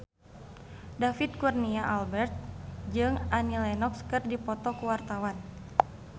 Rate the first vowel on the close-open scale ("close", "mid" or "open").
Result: open